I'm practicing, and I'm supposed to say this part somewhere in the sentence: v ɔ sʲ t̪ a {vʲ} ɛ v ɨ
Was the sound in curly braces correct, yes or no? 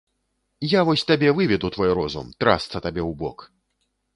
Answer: no